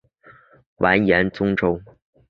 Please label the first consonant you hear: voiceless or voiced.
voiced